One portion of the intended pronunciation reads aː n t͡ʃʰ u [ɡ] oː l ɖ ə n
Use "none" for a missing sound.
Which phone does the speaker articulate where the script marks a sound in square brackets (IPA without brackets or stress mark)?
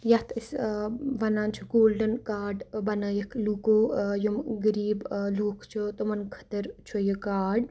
ɡ